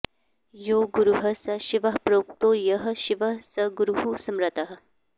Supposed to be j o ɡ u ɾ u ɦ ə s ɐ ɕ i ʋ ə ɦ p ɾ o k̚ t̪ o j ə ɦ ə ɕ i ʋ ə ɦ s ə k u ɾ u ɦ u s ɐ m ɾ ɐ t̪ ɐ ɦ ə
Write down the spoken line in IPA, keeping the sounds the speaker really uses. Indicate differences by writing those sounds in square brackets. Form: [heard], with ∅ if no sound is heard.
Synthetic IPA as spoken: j o ɡ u ɾ u ɦ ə s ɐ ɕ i ʋ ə ɦ p ɾ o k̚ t̪ o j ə ɦ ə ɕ i ʋ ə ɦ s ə [ɡ] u ɾ u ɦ u s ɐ m ɾ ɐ t̪ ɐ ɦ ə